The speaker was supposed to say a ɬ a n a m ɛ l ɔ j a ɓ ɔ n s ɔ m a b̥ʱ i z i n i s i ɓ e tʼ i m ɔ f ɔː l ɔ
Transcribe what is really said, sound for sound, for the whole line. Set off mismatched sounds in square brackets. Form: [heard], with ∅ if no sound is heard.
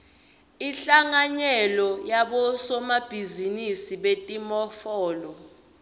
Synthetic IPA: [i] ɬ a [ŋ] a [ɲ] ɛ l ɔ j a ɓ ɔ [∅] s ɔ m a b̥ʱ i z i n i s i ɓ e tʼ i m ɔ f ɔː l ɔ